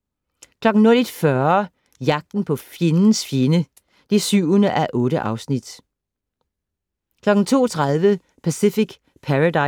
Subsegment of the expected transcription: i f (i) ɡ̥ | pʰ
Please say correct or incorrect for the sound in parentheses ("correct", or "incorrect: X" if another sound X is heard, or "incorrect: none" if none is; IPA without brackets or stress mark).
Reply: correct